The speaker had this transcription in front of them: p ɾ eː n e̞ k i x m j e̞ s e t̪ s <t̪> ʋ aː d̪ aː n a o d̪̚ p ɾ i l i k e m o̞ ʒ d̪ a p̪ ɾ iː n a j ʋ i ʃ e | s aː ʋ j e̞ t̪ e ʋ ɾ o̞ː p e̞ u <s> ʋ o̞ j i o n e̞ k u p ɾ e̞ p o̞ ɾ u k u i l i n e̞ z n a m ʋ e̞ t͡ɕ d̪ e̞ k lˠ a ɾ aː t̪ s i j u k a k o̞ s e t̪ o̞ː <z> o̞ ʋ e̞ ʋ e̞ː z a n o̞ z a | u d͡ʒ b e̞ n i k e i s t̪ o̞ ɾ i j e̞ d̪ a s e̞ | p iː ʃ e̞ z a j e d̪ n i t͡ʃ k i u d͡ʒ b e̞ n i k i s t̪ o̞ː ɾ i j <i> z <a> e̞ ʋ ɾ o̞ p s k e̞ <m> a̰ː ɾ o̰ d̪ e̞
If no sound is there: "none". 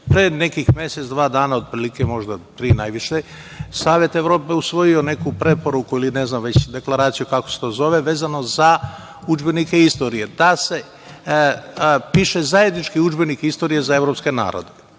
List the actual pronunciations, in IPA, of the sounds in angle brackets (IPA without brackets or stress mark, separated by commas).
d̪, s, z, e, a, n